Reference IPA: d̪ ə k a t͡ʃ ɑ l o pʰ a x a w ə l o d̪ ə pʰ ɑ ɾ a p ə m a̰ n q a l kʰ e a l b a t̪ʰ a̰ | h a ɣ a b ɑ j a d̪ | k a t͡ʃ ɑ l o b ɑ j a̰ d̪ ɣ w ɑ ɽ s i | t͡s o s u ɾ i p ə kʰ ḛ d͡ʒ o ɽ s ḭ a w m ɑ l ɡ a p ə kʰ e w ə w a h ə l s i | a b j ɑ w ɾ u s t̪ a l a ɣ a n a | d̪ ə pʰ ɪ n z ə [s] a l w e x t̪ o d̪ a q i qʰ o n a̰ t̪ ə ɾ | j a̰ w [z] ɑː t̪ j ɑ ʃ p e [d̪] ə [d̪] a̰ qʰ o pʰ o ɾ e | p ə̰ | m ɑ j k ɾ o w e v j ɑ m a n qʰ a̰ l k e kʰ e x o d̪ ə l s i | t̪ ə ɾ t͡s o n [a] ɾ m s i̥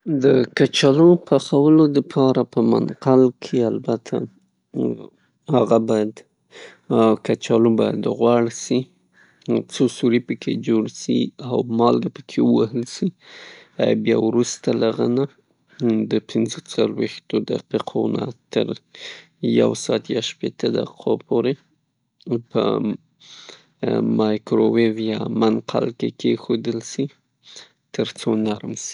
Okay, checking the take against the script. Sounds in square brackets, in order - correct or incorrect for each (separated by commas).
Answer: incorrect, incorrect, incorrect, correct, correct